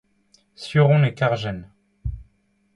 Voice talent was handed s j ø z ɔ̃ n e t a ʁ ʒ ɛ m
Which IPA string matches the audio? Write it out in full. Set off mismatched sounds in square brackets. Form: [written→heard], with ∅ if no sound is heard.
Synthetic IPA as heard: s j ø [z→ʁ] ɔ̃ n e [t→k] a ʁ ʒ ɛ [m→n]